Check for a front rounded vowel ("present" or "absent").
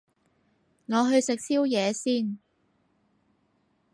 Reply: absent